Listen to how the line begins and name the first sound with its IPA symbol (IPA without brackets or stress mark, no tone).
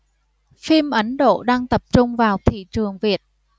f